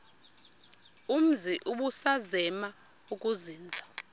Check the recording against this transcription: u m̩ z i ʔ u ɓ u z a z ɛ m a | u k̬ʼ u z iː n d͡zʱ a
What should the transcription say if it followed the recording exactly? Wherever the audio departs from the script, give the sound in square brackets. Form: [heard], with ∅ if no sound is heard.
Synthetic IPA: u m̩ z i ʔ u ɓ u [s] a z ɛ m a | u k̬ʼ u z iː n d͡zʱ a

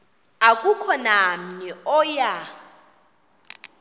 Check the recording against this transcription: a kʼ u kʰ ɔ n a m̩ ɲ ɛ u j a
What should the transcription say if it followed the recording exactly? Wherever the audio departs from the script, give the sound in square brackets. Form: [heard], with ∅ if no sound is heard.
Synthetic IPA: a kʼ u kʰ ɔ n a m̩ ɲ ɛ [ɔ] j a

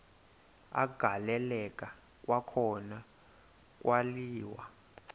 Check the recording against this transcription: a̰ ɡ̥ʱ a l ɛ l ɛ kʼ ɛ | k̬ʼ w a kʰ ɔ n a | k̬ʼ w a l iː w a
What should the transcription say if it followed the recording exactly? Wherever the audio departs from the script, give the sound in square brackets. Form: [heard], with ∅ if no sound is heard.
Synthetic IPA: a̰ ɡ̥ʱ a l ɛ l ɛ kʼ [a] | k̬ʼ w a kʰ ɔ n a | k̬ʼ w a l iː w a

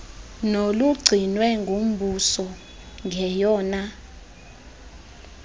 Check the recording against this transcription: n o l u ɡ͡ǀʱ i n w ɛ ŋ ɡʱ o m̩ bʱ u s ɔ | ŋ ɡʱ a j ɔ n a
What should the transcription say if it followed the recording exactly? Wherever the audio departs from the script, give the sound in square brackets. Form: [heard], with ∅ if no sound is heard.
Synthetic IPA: n o l u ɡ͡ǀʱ i n w ɛ ŋ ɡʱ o m̩ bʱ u s ɔ | ŋ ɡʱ [ɛ] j [ɔː] n a

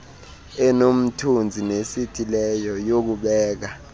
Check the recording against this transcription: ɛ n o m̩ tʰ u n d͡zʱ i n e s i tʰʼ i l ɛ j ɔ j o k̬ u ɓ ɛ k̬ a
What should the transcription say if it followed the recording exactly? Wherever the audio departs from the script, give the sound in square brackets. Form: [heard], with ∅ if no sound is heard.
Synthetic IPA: ɛ n o m̩ tʰ u n d͡zʱ i n e s i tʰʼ i l ɛ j ɔ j o k̬ u ɓ [ɛː] k̬ a

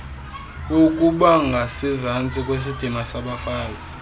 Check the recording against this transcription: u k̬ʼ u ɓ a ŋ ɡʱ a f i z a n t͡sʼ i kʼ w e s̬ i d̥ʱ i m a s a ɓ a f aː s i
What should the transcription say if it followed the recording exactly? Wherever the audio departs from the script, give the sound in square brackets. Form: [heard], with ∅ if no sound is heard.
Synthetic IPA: u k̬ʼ u ɓ a ŋ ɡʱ a [s] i z a n t͡sʼ i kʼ w e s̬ i d̥ʱ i m a s a ɓ a f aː [z] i

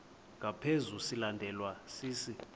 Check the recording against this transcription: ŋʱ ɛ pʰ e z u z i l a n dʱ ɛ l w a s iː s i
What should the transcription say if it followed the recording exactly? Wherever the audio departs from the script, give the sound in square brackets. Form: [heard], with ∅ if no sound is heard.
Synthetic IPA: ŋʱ [a] pʰ e z u [s] i l a n dʱ ɛ l w a s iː s i

